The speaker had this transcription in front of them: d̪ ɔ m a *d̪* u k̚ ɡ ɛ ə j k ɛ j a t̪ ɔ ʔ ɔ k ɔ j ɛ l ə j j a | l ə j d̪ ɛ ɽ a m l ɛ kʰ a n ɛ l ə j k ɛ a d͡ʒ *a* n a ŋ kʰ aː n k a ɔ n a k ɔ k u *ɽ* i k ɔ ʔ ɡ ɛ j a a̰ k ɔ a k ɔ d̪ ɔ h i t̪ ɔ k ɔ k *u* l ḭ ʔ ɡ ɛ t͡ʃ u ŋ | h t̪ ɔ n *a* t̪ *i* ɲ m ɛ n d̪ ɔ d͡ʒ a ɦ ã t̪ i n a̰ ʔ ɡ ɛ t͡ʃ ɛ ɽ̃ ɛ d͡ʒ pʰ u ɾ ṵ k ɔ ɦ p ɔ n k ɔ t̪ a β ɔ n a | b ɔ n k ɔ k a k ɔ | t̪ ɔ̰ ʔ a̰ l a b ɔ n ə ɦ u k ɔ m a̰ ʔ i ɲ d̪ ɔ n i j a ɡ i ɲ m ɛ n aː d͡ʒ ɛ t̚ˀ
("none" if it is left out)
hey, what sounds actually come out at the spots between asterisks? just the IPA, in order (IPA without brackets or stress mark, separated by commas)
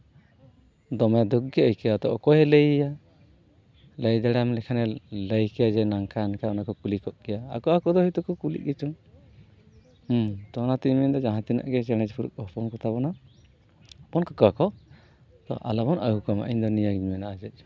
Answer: d̪, ɛ, l, u, a, i